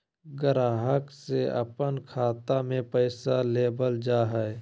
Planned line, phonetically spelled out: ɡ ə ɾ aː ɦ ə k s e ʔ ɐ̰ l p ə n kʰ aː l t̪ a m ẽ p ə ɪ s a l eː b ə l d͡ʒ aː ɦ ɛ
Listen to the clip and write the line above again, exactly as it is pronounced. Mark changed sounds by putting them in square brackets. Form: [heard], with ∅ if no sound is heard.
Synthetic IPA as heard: ɡ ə ɾ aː ɦ ə k s e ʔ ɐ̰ [∅] p ə n kʰ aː [∅] t̪ a m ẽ p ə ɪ s a l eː b ə l d͡ʒ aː ɦ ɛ